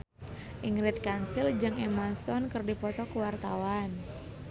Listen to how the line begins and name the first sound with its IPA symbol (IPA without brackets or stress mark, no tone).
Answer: ʔ